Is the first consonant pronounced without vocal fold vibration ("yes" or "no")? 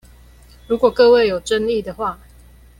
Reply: no